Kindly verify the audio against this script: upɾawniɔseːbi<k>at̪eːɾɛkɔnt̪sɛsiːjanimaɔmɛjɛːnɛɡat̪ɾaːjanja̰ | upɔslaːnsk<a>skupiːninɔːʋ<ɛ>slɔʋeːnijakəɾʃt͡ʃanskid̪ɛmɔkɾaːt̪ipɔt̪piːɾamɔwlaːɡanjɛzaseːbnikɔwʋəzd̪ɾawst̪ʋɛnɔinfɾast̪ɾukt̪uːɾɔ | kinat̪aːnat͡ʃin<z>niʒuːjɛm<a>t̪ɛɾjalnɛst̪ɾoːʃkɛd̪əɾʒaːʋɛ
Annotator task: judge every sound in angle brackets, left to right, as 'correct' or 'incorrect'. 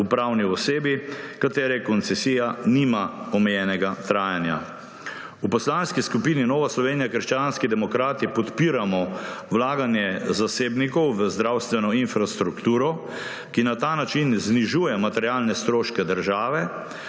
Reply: correct, incorrect, incorrect, correct, correct

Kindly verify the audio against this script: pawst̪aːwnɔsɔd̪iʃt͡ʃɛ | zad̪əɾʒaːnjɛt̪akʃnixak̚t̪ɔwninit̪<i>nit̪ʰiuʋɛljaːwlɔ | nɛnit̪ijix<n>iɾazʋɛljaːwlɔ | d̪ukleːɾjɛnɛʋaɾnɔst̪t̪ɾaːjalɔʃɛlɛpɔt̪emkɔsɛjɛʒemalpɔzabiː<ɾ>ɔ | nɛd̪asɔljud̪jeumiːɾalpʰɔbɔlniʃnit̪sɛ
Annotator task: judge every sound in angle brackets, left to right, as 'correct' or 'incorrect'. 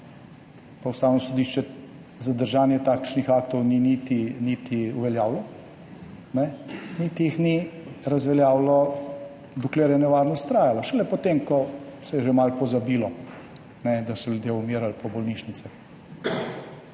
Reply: correct, correct, incorrect

